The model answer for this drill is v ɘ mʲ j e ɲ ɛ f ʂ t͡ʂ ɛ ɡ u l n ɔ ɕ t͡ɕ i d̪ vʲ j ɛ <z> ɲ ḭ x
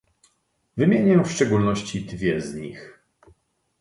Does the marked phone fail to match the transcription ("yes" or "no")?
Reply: no